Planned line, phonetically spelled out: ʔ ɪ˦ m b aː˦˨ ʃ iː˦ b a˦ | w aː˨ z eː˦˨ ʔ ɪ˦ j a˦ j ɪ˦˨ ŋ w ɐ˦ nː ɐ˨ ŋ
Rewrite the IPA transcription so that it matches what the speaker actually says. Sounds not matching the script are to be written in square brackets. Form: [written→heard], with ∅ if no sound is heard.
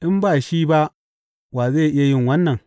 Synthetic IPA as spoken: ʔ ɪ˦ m b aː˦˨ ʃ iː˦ b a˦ | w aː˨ z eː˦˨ ʔ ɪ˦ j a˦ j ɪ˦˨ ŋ w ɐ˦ nː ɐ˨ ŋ